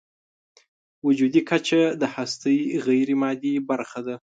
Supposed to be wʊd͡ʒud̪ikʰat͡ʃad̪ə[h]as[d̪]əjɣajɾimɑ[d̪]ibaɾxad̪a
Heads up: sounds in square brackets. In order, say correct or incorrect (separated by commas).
correct, incorrect, correct